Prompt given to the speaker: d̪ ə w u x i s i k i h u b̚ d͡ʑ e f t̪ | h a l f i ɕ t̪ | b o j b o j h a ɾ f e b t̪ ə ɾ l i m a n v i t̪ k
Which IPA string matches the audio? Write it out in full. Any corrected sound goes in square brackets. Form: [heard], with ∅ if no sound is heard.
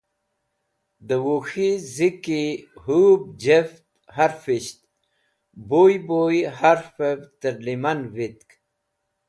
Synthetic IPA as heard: d̪ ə w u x i [z] i k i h u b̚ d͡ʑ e f t̪ | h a [ɾ] f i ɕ t̪ | b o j b o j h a ɾ f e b t̪ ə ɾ l i m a n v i t̪ k